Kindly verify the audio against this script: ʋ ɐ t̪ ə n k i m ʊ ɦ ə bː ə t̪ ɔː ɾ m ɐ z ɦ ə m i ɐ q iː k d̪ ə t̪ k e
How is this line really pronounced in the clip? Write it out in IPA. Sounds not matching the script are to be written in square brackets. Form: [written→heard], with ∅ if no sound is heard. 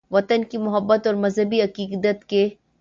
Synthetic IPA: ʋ ɐ t̪ ə n k i m ʊ ɦ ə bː ə t̪ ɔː ɾ m ɐ z ɦ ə [m→b] i ɐ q iː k d̪ ə t̪ k e